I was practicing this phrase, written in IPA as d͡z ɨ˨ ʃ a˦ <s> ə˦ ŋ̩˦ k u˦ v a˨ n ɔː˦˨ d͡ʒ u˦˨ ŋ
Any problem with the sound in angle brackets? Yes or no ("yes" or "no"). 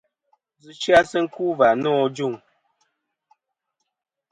no